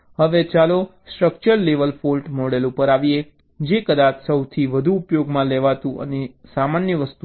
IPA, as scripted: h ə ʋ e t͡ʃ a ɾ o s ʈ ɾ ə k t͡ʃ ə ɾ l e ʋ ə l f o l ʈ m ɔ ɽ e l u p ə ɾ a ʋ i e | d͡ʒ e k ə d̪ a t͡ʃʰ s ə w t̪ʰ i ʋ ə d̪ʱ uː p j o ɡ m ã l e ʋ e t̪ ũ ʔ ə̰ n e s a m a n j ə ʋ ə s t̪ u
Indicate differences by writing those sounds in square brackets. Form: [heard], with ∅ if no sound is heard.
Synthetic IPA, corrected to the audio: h ə ʋ e t͡ʃ a [l] o s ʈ ɾ ə k t͡ʃ ə ɾ l e ʋ ə l f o l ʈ m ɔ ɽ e l u p ə ɾ a ʋ i e | d͡ʒ e k ə d̪ a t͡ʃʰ s ə w t̪ʰ i ʋ ə d̪ʱ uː p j o ɡ m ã l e ʋ [a] t̪ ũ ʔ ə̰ n e s a m a n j ə ʋ ə s t̪ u